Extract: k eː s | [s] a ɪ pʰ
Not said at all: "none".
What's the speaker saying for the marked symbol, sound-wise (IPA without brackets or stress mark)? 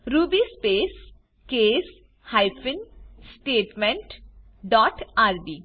h